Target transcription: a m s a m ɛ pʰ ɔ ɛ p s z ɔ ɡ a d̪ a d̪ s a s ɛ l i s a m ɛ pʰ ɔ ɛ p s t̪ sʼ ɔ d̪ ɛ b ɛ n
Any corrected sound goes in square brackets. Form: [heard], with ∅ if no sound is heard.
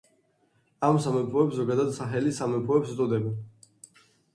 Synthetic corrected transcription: a m s a m ɛ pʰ ɔ ɛ p s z ɔ ɡ a d̪ a d̪ s a [χ] ɛ l i s a m ɛ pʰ ɔ ɛ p s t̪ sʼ ɔ d̪ ɛ b ɛ n